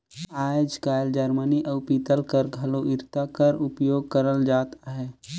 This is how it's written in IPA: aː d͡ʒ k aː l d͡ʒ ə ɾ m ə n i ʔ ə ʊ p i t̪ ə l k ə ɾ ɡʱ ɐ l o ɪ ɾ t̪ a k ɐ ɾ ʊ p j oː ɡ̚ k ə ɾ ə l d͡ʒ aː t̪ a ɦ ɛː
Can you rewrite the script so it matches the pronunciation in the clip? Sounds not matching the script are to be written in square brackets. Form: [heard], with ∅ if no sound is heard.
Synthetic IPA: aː d͡ʒ k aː l d͡ʒ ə ɾ m ə n i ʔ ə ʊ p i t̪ ə l k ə ɾ ɡʱ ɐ l o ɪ ɾ t̪ a k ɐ ɾ ʊ p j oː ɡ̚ k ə ɾ ə l d͡ʒ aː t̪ a ɦ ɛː